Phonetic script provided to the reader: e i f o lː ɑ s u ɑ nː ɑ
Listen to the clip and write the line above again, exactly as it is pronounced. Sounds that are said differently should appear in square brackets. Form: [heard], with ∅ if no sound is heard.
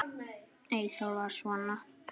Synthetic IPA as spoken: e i [s] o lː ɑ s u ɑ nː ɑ